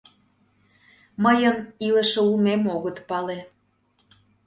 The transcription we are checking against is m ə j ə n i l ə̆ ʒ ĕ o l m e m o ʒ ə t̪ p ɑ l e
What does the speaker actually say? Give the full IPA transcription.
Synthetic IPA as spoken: m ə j ə n i l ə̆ ʃ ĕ u l m e m o ɣ ə t̪ p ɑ l e